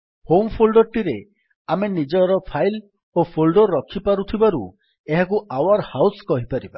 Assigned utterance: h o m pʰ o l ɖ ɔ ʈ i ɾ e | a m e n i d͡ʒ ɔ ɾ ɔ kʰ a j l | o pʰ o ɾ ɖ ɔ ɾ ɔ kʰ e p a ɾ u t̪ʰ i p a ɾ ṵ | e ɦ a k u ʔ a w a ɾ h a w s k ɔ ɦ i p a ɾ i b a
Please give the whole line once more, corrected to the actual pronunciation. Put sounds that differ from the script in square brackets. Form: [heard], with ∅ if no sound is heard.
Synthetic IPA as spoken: h o m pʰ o l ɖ ɔ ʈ i ɾ e | a m e n i d͡ʒ ɔ ɾ ɔ [pʰ] a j l | o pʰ o [l] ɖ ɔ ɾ ɔ kʰ [i] p a ɾ u t̪ʰ i [b] a ɾ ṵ | e ɦ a k u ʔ a w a ɾ h a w s k ɔ ɦ i p a ɾ i b a